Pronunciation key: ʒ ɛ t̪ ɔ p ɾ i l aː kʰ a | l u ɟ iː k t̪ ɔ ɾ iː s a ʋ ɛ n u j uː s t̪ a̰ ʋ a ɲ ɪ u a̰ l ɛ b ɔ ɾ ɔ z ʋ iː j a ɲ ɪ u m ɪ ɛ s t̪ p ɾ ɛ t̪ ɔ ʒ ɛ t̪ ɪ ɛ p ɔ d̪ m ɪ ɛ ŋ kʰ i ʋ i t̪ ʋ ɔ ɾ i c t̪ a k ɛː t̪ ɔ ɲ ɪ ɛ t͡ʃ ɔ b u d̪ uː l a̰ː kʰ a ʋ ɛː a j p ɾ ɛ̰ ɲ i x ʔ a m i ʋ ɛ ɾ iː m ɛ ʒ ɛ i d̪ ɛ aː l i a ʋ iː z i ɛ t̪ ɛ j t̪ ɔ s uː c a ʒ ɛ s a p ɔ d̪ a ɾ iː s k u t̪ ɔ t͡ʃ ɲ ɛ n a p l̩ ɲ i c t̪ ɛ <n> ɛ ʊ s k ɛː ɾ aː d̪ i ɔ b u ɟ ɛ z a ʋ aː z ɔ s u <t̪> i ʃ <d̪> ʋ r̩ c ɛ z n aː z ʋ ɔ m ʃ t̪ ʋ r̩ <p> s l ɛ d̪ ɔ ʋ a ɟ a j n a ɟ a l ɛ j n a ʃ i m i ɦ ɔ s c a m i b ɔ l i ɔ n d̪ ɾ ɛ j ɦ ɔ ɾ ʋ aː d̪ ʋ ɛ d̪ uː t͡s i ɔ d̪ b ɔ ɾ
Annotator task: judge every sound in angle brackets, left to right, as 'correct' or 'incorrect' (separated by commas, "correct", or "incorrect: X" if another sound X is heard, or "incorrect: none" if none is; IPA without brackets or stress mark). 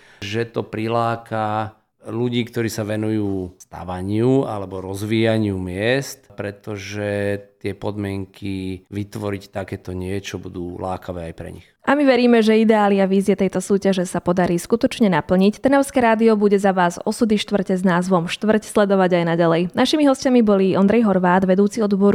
correct, incorrect: d̪, incorrect: t̪, incorrect: c